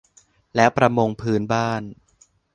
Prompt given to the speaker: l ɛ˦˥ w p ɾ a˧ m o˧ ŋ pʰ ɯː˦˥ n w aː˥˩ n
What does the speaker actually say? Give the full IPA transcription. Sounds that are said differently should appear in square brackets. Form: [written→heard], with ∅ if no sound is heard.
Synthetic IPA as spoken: l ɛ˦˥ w p ɾ a˧ m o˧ ŋ pʰ ɯː˦˥ n [w→b] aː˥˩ n